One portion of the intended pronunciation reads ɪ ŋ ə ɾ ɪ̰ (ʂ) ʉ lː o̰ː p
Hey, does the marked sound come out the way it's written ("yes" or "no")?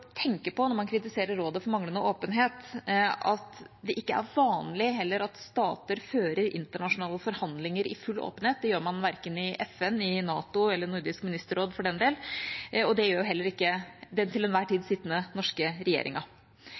no